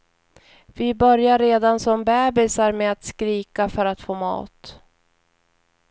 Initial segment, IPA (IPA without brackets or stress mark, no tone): v